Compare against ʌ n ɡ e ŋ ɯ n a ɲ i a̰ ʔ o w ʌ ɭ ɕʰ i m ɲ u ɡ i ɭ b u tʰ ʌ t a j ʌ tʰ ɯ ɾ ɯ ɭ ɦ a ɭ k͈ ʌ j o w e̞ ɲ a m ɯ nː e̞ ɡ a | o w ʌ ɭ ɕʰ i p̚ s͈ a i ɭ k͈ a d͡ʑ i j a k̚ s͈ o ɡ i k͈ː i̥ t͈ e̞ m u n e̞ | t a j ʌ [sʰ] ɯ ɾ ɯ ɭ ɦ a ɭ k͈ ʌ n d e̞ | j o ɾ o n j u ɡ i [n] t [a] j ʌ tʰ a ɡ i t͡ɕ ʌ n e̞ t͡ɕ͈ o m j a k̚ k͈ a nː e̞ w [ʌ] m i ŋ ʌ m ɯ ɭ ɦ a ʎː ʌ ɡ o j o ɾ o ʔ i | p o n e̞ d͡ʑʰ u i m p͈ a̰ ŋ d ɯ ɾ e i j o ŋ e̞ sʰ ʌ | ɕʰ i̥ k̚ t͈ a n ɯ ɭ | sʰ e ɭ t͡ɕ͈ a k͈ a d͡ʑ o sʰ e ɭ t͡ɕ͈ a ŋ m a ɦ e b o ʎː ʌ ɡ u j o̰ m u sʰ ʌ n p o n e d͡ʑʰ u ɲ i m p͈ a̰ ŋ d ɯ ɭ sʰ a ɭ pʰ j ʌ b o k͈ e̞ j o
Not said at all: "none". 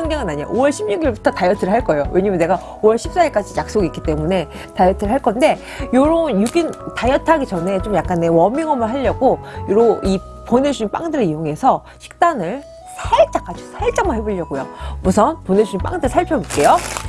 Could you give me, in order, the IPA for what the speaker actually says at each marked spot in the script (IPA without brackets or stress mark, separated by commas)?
tʰ, n, a, ʌ